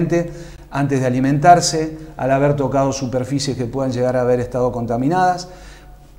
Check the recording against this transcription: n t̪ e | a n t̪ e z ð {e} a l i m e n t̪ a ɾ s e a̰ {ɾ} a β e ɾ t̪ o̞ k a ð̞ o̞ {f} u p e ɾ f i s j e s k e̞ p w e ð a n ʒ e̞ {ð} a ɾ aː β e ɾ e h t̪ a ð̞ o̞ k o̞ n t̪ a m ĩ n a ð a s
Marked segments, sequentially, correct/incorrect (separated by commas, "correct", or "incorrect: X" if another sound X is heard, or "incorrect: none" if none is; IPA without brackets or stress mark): correct, incorrect: l, incorrect: s, incorrect: ɣ